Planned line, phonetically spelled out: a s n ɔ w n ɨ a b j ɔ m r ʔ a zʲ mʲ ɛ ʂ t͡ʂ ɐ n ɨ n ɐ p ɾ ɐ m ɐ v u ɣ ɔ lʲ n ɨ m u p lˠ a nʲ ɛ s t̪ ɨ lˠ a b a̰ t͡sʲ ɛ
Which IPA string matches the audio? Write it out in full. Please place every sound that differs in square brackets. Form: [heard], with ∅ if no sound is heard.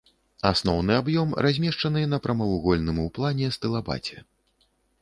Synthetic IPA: a s n ɔ w n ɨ a b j ɔ m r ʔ a zʲ mʲ ɛ ʂ t͡ʂ ɐ n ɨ n ɐ p ɾ ɐ m ɐ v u ɣ ɔ lʲ n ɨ m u p lˠ a nʲ ɛ s t̪ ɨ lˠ a b a̰ t͡sʲ ɛ

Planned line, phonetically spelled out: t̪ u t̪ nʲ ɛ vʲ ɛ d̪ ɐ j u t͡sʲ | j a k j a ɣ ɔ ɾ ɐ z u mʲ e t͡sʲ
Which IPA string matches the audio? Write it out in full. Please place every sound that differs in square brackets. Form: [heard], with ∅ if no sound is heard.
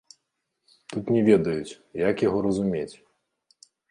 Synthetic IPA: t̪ u t̪ nʲ ɛ vʲ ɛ d̪ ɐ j u t͡sʲ | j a k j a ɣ ɔ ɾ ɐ z u mʲ e t͡sʲ

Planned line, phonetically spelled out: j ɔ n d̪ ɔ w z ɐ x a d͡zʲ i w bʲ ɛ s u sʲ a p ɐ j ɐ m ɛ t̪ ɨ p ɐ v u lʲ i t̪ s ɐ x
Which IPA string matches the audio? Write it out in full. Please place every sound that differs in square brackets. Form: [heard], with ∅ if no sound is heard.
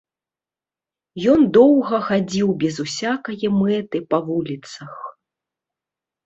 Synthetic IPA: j ɔ n d̪ ɔ w [ɣ] ɐ x a d͡zʲ i w bʲ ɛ [z] u sʲ a [k] ɐ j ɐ m ɛ t̪ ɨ p ɐ v u lʲ i t̪ s ɐ x

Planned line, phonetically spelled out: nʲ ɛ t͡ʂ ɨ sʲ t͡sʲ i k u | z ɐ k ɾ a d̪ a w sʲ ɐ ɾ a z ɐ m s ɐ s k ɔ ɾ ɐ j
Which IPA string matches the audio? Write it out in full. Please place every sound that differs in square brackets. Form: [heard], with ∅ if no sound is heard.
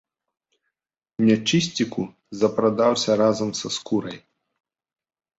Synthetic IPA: nʲ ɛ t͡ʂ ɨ sʲ t͡sʲ i k u | z ɐ [p] ɾ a d̪ a w sʲ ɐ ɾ a z ɐ m s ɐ s k [u] ɾ ɐ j

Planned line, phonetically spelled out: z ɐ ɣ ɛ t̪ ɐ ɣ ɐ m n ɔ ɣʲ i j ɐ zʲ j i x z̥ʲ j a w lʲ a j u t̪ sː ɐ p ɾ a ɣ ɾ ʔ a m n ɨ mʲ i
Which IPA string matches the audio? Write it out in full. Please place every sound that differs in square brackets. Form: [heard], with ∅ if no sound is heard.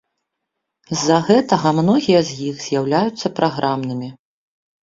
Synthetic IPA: [zː] ɐ ɣ ɛ t̪ ɐ ɣ ɐ m n ɔ ɣʲ i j ɐ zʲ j i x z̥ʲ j a w lʲ a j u t̪ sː ɐ p ɾ a ɣ ɾ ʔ a m n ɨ mʲ i

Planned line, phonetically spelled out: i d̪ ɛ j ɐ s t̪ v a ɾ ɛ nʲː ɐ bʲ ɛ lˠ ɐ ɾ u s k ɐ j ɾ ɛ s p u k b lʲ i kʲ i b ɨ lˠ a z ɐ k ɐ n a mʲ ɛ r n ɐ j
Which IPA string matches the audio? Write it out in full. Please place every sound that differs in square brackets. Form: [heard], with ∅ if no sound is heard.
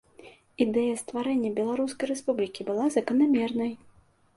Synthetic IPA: i d̪ ɛ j ɐ s t̪ v a ɾ ɛ nʲː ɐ bʲ ɛ lˠ [a] ɾ u s k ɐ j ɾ ɛ s p u [∅] b lʲ i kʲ i b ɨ lˠ a z ɐ k ɐ n a mʲ ɛ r n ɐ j

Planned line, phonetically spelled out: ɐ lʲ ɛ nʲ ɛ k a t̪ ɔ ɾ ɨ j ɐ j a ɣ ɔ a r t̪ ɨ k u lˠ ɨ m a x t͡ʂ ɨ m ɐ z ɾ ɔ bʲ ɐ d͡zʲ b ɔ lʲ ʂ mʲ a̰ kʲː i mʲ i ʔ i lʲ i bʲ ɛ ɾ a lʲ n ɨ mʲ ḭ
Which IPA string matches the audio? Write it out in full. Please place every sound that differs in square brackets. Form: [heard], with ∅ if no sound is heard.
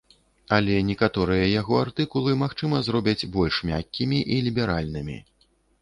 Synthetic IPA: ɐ lʲ ɛ nʲ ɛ k a t̪ ɔ ɾ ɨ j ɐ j a ɣ ɔ a r t̪ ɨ k u lˠ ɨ m a x t͡ʂ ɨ m ɐ z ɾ ɔ bʲ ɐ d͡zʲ b ɔ lʲ ʂ mʲ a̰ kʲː i mʲ i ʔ i lʲ i bʲ ɛ ɾ a lʲ n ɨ mʲ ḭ

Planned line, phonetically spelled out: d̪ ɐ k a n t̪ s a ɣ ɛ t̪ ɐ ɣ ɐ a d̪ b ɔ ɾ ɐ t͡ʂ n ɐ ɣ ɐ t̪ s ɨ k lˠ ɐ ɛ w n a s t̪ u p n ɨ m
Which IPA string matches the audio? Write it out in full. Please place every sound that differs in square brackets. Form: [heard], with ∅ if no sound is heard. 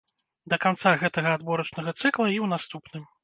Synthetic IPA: d̪ ɐ k a n t̪ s a ɣ ɛ t̪ ɐ ɣ ɐ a d̪ b ɔ ɾ ɐ t͡ʂ n ɐ ɣ ɐ t̪ s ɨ k lˠ ɐ [i] w n a s t̪ u p n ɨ m

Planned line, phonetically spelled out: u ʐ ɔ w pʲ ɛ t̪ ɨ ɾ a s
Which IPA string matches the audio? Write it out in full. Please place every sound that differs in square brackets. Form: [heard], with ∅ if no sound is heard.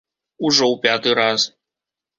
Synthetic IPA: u ʐ ɔ w pʲ [a] t̪ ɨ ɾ a s

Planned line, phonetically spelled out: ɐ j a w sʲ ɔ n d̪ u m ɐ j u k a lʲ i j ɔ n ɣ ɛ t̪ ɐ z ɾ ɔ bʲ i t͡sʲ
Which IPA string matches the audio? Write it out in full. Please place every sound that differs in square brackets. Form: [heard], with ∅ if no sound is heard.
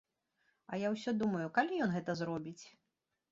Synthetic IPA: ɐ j a w sʲ ɔ [∅] d̪ u m ɐ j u k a lʲ i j ɔ n ɣ ɛ t̪ ɐ z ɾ ɔ bʲ i t͡sʲ

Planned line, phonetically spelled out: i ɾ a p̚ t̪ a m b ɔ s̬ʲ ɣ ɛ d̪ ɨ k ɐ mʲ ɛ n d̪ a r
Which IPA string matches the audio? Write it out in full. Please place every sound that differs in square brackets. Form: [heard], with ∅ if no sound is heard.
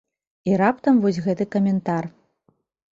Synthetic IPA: i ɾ a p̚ t̪ [ɐ] m [v] ɔ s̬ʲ ɣ ɛ [t̪] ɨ k ɐ mʲ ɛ n [t̪] a r

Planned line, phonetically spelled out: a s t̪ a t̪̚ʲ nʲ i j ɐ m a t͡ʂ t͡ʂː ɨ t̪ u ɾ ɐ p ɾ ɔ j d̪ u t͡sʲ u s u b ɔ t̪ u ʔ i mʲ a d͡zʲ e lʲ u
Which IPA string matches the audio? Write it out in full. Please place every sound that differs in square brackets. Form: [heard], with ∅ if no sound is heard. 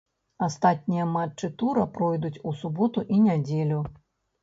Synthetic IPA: a s t̪ a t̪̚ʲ nʲ i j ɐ m a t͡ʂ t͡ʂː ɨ t̪ u ɾ ɐ p ɾ ɔ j d̪ u t͡sʲ u s u b ɔ t̪ u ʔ i [nʲ] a d͡zʲ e lʲ u

